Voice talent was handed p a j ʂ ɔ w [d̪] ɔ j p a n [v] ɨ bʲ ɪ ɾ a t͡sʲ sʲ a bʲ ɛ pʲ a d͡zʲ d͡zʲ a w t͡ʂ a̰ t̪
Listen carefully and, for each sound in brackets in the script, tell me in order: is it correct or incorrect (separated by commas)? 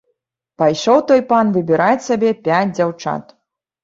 incorrect, correct